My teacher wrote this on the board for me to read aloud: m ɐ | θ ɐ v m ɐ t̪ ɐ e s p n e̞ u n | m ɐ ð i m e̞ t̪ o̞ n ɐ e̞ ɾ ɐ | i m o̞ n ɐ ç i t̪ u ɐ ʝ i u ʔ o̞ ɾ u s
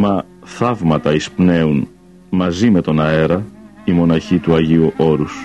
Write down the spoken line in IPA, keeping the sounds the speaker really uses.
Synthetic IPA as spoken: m ɐ | θ ɐ v m ɐ t̪ ɐ i s p n e̞ u n | m ɐ z i m e̞ t̪ o̞ n ɐ e̞ ɾ ɐ | i m o̞ n ɐ ç i t̪ u ɐ ʝ i u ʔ o̞ ɾ u s